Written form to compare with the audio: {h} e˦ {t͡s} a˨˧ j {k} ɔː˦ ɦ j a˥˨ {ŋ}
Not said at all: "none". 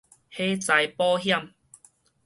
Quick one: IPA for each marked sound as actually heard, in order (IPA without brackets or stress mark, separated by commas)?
h, t͡s, p, m